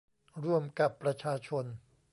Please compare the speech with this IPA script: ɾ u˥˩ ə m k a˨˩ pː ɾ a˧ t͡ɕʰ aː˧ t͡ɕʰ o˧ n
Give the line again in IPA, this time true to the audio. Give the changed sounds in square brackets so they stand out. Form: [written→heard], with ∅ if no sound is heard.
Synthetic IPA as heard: ɾ u˥˩ ə m k a˨˩ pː ɾ a˧ t͡ɕʰ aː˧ t͡ɕʰ o˧ n

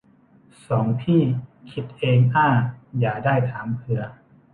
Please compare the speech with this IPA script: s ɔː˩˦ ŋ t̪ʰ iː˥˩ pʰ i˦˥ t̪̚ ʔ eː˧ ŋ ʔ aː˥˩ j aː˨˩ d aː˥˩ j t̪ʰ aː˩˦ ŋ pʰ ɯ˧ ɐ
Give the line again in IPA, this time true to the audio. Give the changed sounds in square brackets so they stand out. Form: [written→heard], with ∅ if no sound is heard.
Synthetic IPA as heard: s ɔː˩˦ ŋ t̪ʰ iː˥˩ [pʰ→kʰ] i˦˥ t̪̚ ʔ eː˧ ŋ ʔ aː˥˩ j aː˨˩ d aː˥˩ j t̪ʰ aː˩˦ [ŋ→m] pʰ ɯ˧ ɐ

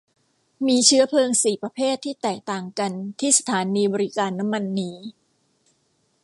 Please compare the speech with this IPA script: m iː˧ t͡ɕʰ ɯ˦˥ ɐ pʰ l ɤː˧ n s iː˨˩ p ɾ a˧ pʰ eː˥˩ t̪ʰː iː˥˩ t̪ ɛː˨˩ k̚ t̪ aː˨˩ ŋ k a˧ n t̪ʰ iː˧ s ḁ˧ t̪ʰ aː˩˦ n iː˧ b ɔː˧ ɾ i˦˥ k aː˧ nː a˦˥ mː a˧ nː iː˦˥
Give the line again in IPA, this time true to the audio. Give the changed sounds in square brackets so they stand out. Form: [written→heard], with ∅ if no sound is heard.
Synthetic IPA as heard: m iː˧ t͡ɕʰ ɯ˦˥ ɐ pʰ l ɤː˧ [n→ŋ] s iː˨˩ p ɾ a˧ pʰ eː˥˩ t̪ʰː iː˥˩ t̪ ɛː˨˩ k̚ t̪ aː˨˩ ŋ k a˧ n t̪ʰ [iː˧→iː˥˩] s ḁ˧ t̪ʰ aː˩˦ n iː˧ b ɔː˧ ɾ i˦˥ k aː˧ nː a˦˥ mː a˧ nː iː˦˥

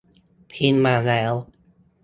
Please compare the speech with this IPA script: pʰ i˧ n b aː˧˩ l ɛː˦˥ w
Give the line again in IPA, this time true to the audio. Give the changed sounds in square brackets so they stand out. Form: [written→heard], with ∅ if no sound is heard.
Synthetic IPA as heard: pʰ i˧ n [b→m] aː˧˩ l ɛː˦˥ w

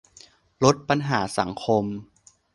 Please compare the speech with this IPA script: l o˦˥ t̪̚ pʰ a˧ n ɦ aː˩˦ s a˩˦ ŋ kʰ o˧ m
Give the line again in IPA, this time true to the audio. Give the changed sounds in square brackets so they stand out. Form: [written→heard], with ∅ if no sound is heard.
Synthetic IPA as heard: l o˦˥ t̪̚ [pʰ→p] a˧ n ɦ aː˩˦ s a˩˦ ŋ kʰ o˧ m

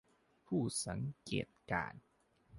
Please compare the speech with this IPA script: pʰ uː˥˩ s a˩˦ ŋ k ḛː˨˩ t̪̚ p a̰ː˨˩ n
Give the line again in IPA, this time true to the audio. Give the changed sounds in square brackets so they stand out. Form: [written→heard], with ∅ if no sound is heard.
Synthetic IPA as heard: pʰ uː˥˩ s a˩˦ ŋ k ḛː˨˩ t̪̚ [p→k] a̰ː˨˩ n

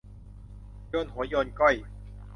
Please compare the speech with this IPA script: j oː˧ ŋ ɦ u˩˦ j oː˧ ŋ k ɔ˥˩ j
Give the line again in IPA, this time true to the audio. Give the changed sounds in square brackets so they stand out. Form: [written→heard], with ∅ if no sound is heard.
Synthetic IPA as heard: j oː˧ [ŋ→n] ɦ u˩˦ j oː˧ [ŋ→n] k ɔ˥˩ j

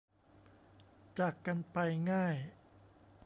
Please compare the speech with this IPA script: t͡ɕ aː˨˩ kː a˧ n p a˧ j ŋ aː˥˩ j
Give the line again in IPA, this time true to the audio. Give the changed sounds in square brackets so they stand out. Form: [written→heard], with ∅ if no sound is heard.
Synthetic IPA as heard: t͡ɕ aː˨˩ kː a˧ n p a˧ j ŋ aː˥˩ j

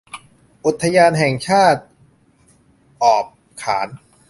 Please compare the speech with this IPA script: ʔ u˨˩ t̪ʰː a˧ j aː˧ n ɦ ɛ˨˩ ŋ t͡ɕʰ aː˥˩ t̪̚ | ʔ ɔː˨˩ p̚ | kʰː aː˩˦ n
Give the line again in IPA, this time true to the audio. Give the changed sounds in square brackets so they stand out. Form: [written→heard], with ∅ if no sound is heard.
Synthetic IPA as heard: ʔ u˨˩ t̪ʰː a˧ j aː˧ n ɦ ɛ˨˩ ŋ t͡ɕʰ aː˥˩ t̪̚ | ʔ ɔː˨˩ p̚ | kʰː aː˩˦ n

